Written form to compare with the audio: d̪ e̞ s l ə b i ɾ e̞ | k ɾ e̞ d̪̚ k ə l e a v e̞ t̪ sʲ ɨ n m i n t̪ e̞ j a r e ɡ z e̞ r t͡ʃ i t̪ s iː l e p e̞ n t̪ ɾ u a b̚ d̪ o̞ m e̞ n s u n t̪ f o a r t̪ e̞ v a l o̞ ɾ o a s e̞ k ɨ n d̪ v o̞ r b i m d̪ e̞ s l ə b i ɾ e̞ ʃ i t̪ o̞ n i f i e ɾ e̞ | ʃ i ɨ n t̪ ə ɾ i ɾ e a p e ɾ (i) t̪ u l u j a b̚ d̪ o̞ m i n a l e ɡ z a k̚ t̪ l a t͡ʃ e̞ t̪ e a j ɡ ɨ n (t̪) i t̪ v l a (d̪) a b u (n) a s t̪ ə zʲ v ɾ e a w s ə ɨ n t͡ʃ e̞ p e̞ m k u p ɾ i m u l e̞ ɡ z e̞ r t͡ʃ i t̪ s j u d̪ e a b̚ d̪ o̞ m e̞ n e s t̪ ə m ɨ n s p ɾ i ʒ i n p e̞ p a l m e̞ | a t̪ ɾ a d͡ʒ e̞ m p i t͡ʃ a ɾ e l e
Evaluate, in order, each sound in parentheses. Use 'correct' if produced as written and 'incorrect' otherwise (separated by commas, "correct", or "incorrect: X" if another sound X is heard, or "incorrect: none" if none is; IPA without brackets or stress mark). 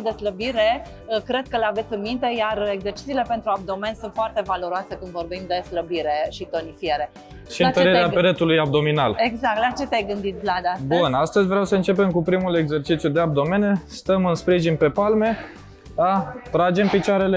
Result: incorrect: e, incorrect: d̪, correct, correct